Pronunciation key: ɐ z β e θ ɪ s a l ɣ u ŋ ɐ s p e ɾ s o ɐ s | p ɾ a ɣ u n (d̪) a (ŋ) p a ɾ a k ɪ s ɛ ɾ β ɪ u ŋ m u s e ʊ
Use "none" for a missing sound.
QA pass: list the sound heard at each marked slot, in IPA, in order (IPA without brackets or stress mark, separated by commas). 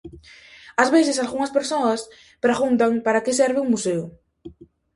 t̪, ŋ